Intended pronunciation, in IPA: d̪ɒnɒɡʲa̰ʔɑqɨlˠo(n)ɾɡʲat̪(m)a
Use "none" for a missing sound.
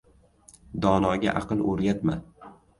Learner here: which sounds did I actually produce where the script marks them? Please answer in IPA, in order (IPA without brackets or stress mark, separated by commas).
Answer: none, m